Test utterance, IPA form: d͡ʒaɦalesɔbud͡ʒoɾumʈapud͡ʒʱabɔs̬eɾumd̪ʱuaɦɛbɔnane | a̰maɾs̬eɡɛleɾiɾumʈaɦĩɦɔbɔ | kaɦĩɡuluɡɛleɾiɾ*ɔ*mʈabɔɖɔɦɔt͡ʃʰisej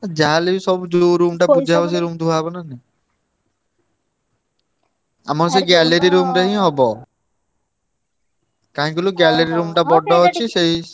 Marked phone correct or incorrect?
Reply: incorrect